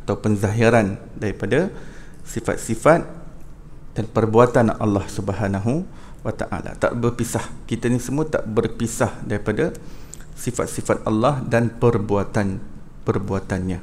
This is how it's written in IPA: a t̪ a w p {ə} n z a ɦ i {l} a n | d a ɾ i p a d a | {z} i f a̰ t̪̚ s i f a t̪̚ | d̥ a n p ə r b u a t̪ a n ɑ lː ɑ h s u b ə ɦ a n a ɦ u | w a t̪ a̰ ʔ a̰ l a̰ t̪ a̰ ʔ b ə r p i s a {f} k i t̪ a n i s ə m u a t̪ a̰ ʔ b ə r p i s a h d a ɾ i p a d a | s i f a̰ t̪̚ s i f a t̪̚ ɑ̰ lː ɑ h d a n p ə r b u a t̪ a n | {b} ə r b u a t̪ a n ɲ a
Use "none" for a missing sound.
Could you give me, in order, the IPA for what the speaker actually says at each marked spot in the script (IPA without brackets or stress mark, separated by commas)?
ə, ɾ, s, h, p